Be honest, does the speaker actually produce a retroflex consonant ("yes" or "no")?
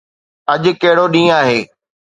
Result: yes